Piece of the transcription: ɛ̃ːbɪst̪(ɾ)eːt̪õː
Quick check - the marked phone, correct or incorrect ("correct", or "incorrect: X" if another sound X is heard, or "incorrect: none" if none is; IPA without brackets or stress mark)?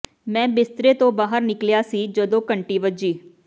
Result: correct